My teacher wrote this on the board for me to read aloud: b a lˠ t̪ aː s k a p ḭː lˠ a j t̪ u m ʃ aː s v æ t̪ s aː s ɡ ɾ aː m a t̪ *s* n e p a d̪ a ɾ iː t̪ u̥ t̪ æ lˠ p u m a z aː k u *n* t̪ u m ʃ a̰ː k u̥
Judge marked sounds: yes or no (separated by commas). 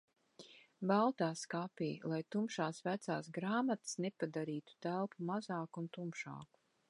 yes, yes